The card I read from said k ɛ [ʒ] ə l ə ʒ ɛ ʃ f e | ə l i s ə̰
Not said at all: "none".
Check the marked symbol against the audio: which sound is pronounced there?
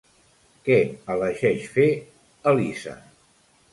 none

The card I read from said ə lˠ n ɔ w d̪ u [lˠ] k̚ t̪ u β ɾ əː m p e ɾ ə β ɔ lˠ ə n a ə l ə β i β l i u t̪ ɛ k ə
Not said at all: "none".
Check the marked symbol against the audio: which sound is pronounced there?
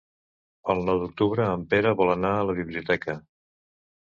none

